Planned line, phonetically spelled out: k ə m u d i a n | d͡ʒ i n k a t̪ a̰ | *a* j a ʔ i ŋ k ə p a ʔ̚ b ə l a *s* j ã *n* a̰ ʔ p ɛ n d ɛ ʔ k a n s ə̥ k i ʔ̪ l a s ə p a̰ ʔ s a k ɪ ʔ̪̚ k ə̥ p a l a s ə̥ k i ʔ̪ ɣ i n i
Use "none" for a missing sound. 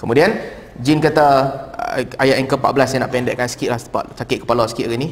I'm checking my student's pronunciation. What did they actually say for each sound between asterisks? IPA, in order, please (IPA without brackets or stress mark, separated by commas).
a, s, n